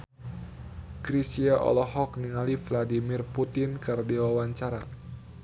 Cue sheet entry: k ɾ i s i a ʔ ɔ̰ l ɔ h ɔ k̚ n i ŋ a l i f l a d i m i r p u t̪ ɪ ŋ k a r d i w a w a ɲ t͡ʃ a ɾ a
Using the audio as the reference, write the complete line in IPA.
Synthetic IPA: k ɾ i s i a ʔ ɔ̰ l ɔ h ɔ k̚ n i ŋ a l i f l a d i m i r p u t̪ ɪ n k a r d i w a w a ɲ t͡ʃ a ɾ a